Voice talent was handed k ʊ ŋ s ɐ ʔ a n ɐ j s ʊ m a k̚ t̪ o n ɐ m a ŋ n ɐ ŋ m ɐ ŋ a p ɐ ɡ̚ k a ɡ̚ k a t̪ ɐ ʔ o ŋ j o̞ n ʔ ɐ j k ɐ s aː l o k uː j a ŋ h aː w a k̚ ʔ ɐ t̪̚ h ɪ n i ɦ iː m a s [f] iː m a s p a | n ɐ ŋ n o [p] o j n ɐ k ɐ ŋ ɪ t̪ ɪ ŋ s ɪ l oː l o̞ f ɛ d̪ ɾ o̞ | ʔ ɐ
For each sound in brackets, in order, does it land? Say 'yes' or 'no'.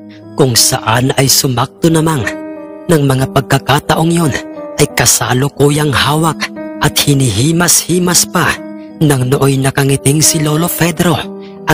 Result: no, no

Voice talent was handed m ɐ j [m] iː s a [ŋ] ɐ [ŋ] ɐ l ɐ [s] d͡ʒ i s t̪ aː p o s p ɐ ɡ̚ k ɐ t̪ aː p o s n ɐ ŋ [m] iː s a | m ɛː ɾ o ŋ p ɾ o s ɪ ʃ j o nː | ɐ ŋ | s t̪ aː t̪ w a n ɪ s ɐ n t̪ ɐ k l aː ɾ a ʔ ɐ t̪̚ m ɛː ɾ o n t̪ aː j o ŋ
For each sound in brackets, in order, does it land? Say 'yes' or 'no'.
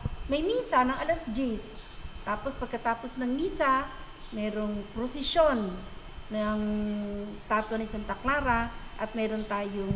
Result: yes, no, yes, yes, yes

